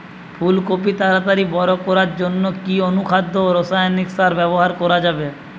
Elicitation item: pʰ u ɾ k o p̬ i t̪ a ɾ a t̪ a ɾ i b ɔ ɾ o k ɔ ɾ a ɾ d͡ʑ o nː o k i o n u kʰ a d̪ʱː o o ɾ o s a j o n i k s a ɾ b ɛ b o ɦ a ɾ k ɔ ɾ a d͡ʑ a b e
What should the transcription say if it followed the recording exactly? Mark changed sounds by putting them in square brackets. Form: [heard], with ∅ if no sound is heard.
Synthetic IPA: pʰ u [l] k o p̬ i t̪ a ɾ a t̪ a ɾ i b ɔ ɾ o k ɔ ɾ a ɾ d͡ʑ o nː o k i o n u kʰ a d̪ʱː o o ɾ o s a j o n i k s a ɾ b ɛ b o ɦ a ɾ k ɔ ɾ a d͡ʑ a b e

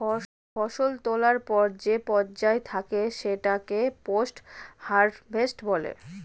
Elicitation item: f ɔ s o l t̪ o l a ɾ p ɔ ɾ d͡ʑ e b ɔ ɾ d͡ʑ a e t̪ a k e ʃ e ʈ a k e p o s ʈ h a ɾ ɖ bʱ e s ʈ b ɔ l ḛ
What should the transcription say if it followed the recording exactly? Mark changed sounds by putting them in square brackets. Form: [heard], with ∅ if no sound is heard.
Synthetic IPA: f ɔ [ʃ] o l t̪ o l a ɾ p ɔ ɾ d͡ʑ e [p] ɔ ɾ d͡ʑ a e [t̪ʰ] a k e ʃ e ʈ a k e p o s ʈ h a ɾ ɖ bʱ e s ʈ b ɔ l ḛ

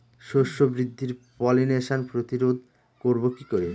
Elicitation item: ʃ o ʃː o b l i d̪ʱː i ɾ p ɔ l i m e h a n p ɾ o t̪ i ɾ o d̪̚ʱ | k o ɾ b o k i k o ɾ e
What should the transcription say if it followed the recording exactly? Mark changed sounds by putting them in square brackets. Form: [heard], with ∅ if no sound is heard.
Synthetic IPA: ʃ o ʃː o b [ɾ] i d̪ʱː i ɾ p ɔ l i [n] e [ʃ] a n p ɾ o t̪ i ɾ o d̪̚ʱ | k o ɾ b o k i k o ɾ e

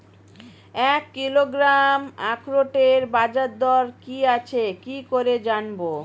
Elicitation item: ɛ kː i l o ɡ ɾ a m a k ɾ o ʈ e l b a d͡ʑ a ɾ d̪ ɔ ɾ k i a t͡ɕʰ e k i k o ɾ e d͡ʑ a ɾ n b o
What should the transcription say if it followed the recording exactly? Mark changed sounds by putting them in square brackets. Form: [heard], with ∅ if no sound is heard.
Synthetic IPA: ɛ kː i l o ɡ ɾ a m a k ɾ o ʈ e [ɾ] b a d͡ʑ a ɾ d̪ ɔ ɾ k i a t͡ɕʰ e k i k o ɾ e d͡ʑ a [∅] n b o

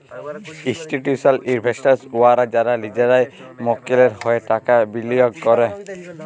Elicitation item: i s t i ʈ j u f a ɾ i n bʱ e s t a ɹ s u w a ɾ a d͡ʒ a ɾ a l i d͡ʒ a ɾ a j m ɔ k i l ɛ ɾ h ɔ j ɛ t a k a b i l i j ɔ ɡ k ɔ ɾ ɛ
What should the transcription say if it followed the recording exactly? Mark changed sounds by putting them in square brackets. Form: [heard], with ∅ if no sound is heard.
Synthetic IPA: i s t i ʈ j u [s] a [l] i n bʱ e s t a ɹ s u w a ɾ a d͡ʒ a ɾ a l i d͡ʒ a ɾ a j m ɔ k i l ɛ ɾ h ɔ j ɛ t a k a b i l i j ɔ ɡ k ɔ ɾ ɛ

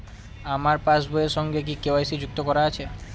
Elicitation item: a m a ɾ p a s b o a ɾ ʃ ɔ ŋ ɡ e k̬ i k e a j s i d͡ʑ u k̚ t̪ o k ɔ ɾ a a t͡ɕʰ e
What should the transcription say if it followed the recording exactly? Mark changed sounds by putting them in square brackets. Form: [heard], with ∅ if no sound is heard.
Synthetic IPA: a m a ɾ p a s b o [e] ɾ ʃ ɔ ŋ ɡ e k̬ i k e a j s i d͡ʑ u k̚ t̪ o k ɔ ɾ a a t͡ɕʰ e

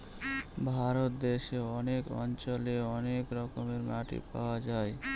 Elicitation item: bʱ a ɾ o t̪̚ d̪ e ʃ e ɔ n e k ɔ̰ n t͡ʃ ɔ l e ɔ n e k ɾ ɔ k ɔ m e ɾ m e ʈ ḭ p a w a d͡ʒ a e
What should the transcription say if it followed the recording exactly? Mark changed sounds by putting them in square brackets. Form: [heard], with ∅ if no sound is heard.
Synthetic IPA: bʱ a ɾ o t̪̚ d̪ e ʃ e ɔ n e k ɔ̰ n t͡ʃ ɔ l e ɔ n e k ɾ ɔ k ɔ m e ɾ m [a] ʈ ḭ p a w a d͡ʒ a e

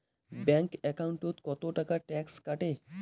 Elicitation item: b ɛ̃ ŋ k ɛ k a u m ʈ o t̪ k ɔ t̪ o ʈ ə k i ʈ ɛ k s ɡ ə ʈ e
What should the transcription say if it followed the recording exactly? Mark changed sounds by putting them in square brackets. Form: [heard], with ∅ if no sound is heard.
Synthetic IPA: b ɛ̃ ŋ k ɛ k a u [ɳ] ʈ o t̪ k ɔ t̪ o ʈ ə k [a] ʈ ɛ k s [k] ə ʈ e

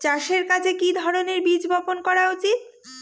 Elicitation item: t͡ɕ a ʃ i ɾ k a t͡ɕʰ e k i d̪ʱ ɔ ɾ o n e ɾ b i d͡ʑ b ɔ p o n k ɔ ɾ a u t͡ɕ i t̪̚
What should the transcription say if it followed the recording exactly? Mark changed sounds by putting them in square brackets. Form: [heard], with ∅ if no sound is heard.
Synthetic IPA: t͡ɕ a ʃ [e] ɾ k a t͡ɕʰ e k i d̪ʱ ɔ ɾ o n e ɾ b i d͡ʑ b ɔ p o n k ɔ ɾ a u t͡ɕ i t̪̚

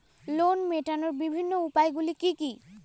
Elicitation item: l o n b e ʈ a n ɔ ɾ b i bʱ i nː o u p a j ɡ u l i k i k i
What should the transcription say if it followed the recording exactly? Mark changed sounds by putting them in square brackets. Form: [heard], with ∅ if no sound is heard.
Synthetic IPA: l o n [m] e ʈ a n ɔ [ɹ] b i bʱ i nː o u p a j ɡ u l i k i k i

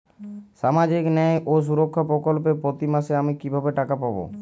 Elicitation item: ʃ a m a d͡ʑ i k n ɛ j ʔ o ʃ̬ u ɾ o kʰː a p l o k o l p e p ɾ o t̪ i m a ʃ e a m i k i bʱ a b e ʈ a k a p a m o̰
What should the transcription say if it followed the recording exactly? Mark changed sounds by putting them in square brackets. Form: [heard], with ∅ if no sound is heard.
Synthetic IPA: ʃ a m a d͡ʑ i k n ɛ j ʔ o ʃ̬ u ɾ o kʰː a p [ɾ] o k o l p e p ɾ o t̪ i m a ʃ e a m i k i bʱ a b e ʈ a k a p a [b] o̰

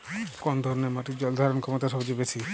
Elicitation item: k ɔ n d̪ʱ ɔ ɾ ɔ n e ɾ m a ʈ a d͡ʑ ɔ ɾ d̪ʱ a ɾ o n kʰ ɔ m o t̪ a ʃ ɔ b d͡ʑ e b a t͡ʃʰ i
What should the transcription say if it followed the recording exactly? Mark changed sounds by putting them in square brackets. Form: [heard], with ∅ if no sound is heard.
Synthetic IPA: k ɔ n d̪ʱ ɔ ɾ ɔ n e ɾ m a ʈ [i] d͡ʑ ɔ [l] d̪ʱ a ɾ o n kʰ ɔ m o t̪ a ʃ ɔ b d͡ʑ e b [e] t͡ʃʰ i

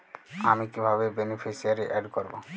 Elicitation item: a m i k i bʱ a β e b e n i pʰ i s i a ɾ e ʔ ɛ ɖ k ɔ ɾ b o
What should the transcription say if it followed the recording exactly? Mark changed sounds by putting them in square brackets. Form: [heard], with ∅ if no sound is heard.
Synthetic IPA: a m i k i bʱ a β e b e n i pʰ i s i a ɾ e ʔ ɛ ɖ k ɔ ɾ b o

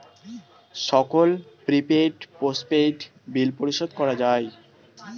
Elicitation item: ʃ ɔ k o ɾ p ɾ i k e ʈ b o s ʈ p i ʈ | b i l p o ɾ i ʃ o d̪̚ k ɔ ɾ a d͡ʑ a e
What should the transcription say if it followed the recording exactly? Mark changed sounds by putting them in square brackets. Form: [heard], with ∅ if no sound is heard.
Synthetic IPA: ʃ ɔ k o [l] p ɾ i [p] e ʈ [p] o s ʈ p [e] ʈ | b i l p o ɾ i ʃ o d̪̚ k ɔ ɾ a d͡ʑ a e

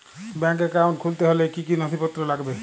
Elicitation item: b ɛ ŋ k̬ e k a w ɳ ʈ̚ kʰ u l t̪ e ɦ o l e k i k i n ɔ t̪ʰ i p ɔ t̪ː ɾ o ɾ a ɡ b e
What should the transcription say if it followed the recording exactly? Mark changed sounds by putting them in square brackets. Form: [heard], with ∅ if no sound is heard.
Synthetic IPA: b ɛ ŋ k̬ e k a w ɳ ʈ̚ kʰ u l t̪ e ɦ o l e k i k i n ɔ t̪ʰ i p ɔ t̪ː ɾ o [l] a ɡ b e

